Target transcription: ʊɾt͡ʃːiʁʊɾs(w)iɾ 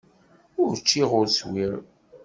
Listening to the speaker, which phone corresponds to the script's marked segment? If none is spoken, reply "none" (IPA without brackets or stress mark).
w